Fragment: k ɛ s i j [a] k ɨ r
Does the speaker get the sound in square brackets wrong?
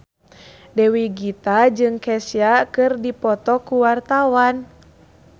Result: no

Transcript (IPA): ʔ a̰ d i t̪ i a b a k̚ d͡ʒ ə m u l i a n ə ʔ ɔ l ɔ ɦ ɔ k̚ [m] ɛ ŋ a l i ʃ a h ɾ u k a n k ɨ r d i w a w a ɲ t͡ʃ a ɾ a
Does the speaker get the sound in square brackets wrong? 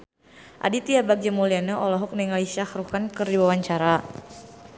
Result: yes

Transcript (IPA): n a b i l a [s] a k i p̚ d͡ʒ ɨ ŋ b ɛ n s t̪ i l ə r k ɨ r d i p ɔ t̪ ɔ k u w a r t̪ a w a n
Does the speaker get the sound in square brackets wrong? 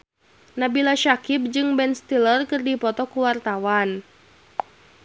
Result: yes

